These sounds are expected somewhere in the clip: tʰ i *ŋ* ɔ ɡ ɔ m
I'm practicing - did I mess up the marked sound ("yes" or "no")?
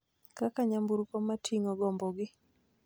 no